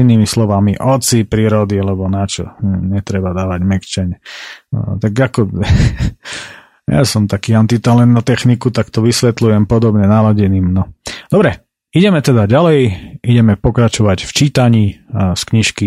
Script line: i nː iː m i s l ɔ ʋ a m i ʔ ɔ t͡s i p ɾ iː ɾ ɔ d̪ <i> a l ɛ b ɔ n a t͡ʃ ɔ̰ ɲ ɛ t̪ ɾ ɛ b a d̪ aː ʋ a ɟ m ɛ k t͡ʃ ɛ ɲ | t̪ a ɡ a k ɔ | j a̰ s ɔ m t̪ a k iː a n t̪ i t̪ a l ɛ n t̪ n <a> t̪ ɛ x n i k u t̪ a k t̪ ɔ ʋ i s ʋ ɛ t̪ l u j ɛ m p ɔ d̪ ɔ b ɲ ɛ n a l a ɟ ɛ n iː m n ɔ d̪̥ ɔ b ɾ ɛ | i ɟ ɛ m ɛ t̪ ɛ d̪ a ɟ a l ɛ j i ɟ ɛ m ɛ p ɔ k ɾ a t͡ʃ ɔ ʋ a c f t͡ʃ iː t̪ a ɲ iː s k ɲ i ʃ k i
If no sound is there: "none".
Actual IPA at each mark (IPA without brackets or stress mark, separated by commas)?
i, a